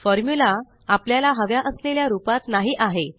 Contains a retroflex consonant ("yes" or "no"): no